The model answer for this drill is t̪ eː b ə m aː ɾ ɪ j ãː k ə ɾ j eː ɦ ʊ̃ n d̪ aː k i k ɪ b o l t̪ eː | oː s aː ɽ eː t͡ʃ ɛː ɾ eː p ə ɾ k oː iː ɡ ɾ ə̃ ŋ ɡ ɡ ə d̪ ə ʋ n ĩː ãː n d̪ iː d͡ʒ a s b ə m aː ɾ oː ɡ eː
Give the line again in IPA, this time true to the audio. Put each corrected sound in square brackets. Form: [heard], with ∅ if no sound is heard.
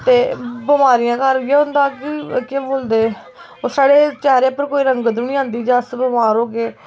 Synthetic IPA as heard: t̪ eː b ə m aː ɾ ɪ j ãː k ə ɾ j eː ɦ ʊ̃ n d̪ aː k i k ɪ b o l [d̪] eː | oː s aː ɽ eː t͡ʃ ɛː ɾ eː p ə ɾ k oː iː [∅] ɾ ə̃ ŋ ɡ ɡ ə d̪ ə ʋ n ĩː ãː n d̪ iː d͡ʒ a s b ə m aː ɾ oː ɡ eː